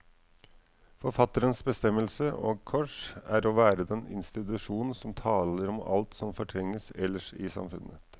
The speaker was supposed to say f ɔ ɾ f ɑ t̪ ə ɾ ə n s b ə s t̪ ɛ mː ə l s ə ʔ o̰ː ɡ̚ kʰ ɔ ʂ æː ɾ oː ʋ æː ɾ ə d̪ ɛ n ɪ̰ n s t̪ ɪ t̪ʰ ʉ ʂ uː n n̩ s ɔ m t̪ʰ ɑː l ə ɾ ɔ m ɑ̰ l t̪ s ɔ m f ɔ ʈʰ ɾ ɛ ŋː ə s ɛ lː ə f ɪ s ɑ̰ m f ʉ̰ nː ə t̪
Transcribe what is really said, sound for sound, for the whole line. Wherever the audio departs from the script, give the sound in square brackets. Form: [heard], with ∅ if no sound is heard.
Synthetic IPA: f ɔ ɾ f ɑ t̪ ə ɾ ə n s b ə s t̪ ɛ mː ə l s ə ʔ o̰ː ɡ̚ kʰ ɔ ʂ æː ɾ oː ʋ æː ɾ ə d̪ ɛ n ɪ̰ n s t̪ ɪ [t̪] ʉ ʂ uː n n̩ s ɔ m t̪ʰ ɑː l ə ɾ ɔ m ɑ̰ l t̪ s ɔ m f ɔ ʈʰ ɾ ɛ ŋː ə s ɛ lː ə [ʂ] ɪ s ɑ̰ m f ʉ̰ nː ə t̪